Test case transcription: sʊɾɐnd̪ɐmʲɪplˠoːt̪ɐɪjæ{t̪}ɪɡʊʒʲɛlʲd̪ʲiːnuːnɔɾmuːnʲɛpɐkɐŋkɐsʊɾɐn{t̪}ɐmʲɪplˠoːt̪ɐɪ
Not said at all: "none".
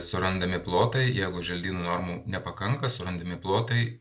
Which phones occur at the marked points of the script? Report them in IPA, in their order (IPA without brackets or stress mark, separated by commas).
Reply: none, d̪